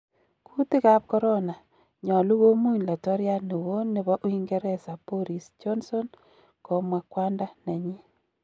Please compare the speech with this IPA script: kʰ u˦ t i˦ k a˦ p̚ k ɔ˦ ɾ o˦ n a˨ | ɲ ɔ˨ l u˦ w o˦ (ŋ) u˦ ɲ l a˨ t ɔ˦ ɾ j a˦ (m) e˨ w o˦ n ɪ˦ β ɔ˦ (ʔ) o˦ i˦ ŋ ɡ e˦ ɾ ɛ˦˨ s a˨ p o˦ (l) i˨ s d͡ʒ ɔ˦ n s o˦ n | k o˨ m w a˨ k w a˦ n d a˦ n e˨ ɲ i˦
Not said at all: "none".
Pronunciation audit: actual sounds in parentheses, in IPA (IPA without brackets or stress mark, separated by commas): m, n, ʔ, ɾ